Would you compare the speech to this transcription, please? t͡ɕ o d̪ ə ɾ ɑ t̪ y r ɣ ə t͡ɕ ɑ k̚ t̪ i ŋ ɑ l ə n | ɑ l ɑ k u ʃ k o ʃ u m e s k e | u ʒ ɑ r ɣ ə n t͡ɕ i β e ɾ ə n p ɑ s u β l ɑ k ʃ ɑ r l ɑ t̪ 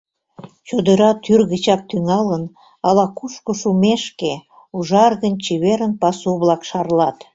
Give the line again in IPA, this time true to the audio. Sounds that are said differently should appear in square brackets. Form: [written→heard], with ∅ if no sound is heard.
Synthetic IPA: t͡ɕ o d̪ ə ɾ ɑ t̪ y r ɣ ə t͡ɕ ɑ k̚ t̪ [i→y] ŋ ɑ l ə n | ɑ l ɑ k u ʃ k o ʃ u m e [s→ʃ] k e | u ʒ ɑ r ɣ ə n t͡ɕ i β e ɾ ə n p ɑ s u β l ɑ k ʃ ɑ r l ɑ t̪